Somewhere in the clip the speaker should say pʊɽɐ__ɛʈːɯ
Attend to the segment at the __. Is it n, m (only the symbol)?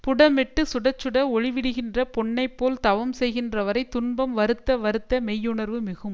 m